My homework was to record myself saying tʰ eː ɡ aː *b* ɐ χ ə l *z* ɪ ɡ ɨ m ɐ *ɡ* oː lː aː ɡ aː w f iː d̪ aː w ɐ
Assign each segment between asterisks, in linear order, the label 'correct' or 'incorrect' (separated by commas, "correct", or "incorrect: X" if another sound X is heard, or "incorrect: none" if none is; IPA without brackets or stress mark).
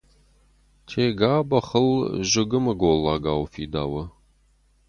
correct, incorrect: ʒ, correct